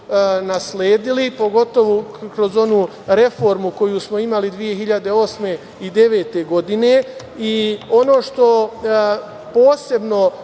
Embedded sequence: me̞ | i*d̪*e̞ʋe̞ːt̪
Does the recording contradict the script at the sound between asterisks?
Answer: no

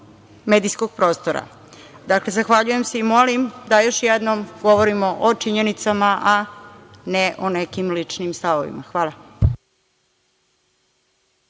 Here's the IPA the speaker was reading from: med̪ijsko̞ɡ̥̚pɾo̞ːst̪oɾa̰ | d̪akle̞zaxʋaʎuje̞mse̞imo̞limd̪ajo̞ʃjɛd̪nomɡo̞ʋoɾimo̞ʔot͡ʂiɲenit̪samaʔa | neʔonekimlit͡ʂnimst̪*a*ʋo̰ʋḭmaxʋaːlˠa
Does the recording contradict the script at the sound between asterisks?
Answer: no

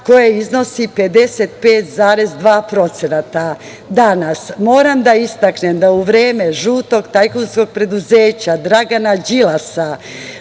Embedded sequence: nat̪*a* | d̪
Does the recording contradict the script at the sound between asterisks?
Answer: no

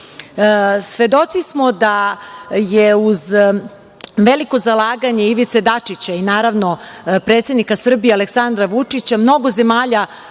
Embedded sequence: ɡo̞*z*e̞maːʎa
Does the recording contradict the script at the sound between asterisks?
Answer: no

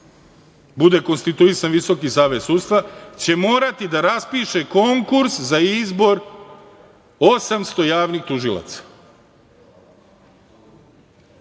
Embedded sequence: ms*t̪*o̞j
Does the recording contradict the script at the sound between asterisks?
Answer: no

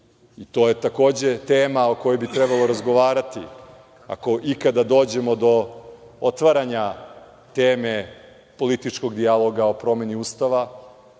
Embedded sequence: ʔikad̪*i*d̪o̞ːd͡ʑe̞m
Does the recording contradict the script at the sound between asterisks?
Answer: yes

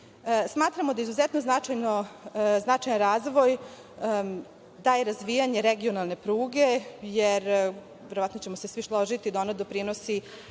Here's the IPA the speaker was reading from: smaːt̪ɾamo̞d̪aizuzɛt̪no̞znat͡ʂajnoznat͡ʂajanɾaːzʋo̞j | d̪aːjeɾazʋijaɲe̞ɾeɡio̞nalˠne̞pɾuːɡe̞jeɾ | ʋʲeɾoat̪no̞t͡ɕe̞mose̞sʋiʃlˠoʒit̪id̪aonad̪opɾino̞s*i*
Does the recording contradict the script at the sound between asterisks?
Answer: no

